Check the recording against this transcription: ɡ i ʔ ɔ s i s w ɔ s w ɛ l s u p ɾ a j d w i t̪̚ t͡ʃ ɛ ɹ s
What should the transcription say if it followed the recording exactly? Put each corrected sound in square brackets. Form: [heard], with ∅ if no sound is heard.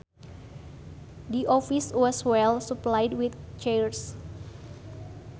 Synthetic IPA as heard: [d] i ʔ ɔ [f] i s w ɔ s w ɛ l s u p [l] a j d w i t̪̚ t͡ʃ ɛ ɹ s